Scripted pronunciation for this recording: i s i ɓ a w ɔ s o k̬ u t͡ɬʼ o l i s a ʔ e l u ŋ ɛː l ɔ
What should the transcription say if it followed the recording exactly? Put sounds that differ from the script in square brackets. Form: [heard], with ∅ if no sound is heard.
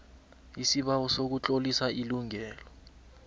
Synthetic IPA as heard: i s i ɓ a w ɔ s o k̬ u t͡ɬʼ o l i s a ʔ [i] l u ŋ ɛː l ɔ